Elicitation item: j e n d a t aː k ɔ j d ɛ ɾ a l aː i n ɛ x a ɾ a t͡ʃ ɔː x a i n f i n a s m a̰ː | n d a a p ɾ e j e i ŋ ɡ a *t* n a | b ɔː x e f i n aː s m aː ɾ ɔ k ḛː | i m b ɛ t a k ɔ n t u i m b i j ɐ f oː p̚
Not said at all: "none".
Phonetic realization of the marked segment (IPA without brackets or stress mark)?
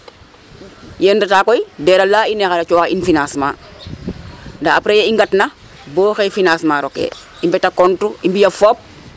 t